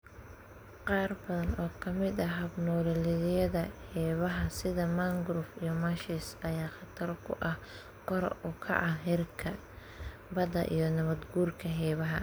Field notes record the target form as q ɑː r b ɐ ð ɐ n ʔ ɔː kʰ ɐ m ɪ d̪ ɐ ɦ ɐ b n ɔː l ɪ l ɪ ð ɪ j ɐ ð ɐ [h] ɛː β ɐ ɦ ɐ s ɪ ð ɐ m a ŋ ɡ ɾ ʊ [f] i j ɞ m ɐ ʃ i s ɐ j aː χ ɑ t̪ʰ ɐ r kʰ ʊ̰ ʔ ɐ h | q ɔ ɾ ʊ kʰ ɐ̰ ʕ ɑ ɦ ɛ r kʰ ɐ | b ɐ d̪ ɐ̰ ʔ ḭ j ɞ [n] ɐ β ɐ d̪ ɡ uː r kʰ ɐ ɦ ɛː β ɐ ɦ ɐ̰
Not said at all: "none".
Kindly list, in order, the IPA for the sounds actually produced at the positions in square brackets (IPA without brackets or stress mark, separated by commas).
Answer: h, f, n